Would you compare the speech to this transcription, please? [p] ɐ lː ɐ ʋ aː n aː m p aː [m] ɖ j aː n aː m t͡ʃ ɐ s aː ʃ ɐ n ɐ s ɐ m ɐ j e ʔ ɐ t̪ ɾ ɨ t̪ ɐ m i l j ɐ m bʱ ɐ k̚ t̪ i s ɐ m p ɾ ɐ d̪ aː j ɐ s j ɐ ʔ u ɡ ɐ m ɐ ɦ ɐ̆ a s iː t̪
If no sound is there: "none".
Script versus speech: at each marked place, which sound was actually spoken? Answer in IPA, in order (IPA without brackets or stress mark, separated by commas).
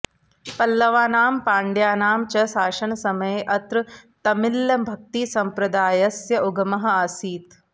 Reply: p, ɳ